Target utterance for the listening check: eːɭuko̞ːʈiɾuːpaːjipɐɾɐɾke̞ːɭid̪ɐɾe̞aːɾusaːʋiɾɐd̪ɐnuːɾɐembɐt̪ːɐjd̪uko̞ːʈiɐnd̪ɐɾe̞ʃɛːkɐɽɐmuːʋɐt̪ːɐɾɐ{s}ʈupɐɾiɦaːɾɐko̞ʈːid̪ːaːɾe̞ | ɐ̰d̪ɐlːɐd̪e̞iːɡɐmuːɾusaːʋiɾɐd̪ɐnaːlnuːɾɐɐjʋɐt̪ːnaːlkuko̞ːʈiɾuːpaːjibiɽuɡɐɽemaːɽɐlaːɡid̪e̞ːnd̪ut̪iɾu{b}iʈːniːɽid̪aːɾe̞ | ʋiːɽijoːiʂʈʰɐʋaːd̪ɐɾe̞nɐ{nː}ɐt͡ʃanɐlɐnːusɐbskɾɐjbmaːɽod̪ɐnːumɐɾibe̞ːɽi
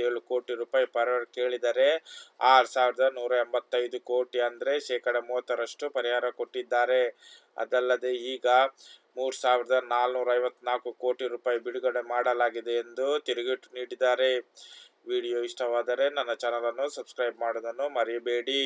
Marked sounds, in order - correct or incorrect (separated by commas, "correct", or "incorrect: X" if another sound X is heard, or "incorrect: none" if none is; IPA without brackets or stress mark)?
incorrect: ʂ, incorrect: ɡ, correct